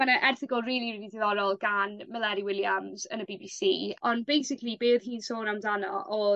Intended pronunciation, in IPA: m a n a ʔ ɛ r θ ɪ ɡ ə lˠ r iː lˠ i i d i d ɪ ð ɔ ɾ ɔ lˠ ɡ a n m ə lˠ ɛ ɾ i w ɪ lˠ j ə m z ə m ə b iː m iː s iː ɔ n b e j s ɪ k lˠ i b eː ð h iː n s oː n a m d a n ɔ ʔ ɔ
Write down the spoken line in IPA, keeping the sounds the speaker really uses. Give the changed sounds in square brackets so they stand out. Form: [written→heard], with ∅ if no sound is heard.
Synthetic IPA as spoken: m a n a ʔ ɛ r θ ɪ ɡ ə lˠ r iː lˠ i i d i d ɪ ð ɔ ɾ ɔ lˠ ɡ a n m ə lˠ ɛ ɾ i w ɪ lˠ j [ə→a] m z ə [m→n] ə b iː [m→b] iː s iː ɔ n b e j s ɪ k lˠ i b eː ð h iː n s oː n a m d a n ɔ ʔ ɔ